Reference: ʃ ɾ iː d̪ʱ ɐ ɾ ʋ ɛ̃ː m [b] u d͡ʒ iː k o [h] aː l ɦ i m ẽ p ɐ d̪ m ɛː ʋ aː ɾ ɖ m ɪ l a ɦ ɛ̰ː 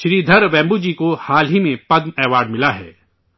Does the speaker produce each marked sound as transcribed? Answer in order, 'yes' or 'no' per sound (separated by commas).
yes, yes